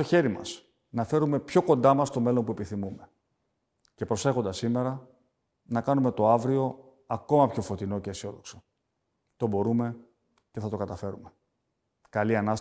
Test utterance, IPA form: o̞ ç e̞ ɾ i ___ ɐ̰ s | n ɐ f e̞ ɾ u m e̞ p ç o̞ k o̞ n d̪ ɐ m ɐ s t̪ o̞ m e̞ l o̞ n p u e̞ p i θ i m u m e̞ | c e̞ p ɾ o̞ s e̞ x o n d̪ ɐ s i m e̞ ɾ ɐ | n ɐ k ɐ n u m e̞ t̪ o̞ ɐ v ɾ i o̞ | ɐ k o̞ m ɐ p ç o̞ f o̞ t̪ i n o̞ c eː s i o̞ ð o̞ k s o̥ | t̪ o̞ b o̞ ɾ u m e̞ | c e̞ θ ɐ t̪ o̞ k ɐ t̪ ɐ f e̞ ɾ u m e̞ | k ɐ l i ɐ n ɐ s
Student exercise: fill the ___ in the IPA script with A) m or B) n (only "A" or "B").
A